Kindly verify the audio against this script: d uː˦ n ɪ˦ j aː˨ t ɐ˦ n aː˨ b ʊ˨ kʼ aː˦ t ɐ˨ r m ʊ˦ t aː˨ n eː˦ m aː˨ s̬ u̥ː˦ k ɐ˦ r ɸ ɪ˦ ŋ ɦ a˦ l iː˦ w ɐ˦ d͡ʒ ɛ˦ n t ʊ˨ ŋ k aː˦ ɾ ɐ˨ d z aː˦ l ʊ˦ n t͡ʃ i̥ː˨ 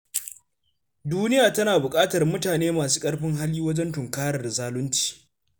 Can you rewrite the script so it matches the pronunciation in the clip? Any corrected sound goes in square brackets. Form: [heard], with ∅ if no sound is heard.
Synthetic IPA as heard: d uː˦ n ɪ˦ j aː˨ t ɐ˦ n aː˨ b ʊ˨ kʼ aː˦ t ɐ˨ r m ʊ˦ t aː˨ n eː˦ m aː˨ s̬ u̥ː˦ [kʼ] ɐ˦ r ɸ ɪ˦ ŋ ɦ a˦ l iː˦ w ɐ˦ d͡ʒ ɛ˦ n t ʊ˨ ŋ k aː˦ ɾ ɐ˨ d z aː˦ l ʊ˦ n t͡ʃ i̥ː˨